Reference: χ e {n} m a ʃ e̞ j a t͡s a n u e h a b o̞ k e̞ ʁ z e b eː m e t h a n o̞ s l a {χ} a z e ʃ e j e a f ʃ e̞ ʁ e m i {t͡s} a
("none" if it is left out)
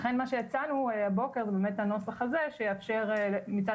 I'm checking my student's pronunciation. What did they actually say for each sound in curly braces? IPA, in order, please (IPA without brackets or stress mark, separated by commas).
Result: n, χ, t͡s